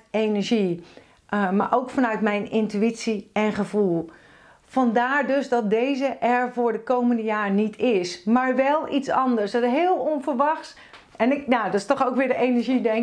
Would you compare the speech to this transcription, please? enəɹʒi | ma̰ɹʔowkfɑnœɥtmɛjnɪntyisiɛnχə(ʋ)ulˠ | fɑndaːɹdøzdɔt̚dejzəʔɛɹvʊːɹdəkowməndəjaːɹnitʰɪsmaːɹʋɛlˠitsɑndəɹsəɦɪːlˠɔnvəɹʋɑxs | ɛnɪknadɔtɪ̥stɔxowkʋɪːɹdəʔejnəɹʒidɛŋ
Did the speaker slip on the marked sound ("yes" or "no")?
yes